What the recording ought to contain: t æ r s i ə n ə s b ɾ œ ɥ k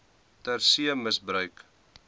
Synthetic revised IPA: t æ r s i ə m ə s b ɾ œ ɥ k